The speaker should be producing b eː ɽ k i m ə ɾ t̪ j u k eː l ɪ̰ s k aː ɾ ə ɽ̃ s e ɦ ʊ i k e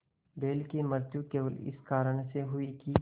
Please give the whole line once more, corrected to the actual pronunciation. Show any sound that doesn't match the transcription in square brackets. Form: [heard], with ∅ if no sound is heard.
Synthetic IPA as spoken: b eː [l] k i m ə ɾ t̪ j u k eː l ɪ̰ s k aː ɾ ə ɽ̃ s e ɦ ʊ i k [i]

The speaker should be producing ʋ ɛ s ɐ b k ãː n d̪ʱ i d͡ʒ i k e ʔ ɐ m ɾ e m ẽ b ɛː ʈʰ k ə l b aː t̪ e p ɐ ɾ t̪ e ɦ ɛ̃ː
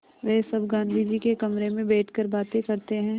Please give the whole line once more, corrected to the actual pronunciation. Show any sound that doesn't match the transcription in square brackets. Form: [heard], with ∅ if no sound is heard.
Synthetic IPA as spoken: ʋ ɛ s ɐ b [ɡ] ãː n d̪ʱ i d͡ʒ i k e [k] ɐ m ɾ e m ẽ b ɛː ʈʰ k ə [ɾ] b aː t̪ e [k] ɐ ɾ t̪ e ɦ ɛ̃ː

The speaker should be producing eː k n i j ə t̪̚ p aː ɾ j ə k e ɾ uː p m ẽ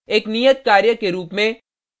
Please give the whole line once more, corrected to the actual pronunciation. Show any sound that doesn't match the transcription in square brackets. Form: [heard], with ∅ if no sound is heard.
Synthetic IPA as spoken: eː k n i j ə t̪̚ [k] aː ɾ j ə k e ɾ uː p m ẽ

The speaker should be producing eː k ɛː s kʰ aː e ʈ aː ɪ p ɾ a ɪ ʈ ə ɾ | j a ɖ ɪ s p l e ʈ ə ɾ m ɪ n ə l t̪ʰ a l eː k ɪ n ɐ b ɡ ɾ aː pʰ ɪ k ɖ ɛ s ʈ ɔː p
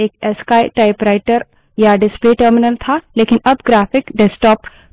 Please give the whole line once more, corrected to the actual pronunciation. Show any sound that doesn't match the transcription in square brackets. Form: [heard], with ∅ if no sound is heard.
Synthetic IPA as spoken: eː k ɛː s [k] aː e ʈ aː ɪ p ɾ a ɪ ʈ ə ɾ | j a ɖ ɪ s p l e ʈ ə ɾ m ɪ n ə l t̪ʰ a l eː k ɪ n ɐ b ɡ ɾ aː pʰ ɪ k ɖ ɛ s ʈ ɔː p

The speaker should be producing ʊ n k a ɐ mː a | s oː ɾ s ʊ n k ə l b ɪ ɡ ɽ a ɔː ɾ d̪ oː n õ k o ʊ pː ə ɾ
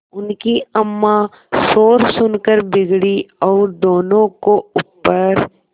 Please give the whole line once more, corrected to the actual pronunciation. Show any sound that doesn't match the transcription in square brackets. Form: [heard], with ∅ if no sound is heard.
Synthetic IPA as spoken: ʊ n k [i] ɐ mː a | s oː ɾ s ʊ n k ə [ɾ] b ɪ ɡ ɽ [i] ɔː ɾ d̪ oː n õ k o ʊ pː ə ɾ

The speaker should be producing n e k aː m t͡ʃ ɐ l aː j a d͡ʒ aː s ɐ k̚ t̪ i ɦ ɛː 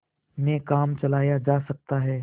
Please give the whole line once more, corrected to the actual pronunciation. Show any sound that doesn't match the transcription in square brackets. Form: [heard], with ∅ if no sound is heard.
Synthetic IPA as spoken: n e k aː m t͡ʃ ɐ l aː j a d͡ʒ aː s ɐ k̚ t̪ [a] ɦ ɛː

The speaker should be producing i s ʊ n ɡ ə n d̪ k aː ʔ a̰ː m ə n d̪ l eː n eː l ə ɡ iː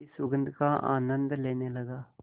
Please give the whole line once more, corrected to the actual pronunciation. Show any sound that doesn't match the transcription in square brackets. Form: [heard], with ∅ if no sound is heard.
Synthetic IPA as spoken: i s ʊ [∅] ɡ ə n d̪ k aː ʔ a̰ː [n] ə n d̪ l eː n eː l ə ɡ [aː]

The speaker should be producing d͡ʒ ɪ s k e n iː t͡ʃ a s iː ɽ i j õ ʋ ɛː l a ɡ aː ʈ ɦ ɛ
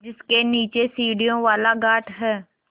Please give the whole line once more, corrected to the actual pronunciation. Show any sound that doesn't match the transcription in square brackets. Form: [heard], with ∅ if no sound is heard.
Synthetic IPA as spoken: d͡ʒ ɪ s k e n iː t͡ʃ [e] s iː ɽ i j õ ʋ [aː] l a ɡ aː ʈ ɦ [ɛː]

